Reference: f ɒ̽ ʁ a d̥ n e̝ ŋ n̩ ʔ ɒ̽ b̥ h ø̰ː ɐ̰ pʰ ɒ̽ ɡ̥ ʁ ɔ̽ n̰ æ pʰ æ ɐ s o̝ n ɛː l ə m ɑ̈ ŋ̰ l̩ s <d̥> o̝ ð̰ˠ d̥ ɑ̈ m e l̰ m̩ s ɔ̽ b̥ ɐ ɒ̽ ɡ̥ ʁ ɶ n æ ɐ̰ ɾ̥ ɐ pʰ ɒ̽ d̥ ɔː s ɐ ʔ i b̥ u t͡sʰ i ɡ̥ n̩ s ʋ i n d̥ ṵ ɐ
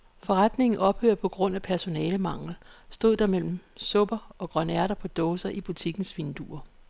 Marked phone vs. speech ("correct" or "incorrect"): correct